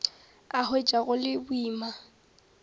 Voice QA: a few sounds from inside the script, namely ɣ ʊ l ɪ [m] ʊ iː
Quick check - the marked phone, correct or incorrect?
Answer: incorrect